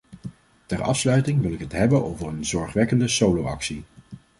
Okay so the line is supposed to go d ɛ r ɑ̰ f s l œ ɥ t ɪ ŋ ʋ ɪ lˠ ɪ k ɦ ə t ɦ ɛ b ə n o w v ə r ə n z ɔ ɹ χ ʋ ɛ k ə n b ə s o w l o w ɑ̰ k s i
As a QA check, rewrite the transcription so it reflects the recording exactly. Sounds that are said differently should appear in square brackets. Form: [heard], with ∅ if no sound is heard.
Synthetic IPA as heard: [t] ɛ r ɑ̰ f s l œ ɥ t ɪ ŋ ʋ ɪ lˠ ɪ k ɦ ə t ɦ ɛ b ə n o w v ə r ə n z ɔ ɹ χ ʋ ɛ k ə n [d] ə s o w l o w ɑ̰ k s i